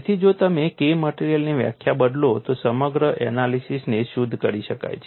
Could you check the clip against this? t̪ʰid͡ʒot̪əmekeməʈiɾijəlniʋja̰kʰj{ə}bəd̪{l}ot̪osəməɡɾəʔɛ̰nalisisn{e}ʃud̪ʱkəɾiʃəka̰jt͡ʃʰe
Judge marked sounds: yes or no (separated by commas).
no, yes, yes